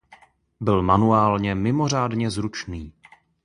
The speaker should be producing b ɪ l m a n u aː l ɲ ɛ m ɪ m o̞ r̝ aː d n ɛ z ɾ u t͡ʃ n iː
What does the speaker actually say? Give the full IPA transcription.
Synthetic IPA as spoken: b ɪ l m a n u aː l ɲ ɛ m ɪ m o̞ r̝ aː d ɲ ɛ z ɾ u t͡ʃ n iː